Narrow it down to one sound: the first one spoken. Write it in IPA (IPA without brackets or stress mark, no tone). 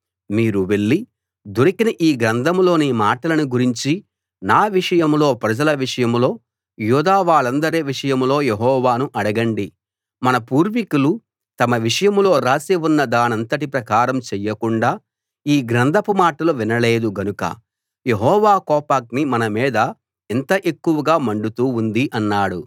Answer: m